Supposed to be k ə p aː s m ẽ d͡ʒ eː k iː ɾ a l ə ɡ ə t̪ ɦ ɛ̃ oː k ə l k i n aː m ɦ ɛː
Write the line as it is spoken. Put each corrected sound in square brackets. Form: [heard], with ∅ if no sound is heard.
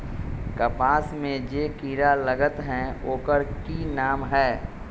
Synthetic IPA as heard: k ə p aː s m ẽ d͡ʒ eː k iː ɾ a l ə ɡ ə t̪ ɦ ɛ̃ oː k ə [ɾ] k i n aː m ɦ ɛː